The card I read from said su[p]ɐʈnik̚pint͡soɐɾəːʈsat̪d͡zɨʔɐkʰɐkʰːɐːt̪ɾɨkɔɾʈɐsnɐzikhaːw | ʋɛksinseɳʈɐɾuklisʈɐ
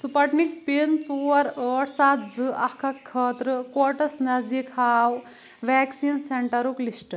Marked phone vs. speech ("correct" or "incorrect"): correct